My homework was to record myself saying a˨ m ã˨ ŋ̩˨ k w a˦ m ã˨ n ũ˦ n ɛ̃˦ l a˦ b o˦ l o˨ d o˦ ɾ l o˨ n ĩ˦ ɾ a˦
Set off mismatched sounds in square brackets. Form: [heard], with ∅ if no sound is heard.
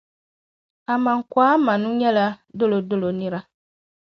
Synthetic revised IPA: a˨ m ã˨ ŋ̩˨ k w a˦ m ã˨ n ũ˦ [ɲ] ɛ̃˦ l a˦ [d] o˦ l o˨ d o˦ [∅] l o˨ n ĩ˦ ɾ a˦